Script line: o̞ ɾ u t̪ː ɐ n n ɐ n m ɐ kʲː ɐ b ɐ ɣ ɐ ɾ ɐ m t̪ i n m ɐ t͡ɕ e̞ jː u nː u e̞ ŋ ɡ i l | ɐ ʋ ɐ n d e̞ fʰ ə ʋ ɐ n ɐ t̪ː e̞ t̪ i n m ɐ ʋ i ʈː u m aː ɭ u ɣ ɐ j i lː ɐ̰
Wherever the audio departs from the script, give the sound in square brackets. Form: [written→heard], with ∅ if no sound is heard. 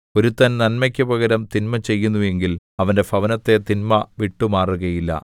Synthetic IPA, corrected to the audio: o̞ ɾ u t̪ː ɐ n n ɐ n m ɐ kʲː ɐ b ɐ ɣ ɐ ɾ ɐ m t̪ i n m ɐ t͡ɕ e̞ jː u nː u e̞ ŋ ɡ i l | ɐ ʋ ɐ n d e̞ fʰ [ə→ɐ] ʋ ɐ n ɐ t̪ː e̞ t̪ i n m ɐ ʋ i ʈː u m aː [ɭ→r] u ɣ ɐ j i lː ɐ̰